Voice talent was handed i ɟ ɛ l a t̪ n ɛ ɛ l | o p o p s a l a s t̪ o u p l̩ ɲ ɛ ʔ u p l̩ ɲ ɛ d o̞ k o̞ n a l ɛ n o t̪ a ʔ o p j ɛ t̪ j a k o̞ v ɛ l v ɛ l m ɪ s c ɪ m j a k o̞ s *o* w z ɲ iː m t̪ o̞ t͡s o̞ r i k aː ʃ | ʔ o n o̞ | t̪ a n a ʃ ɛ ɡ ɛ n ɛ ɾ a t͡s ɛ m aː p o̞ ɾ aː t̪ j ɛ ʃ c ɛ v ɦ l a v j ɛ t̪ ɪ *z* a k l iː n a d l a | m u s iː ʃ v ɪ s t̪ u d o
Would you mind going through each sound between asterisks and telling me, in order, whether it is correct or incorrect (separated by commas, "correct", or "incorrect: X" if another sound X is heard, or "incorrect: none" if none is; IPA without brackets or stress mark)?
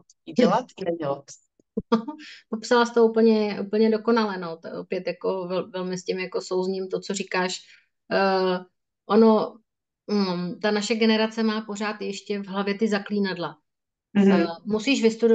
correct, correct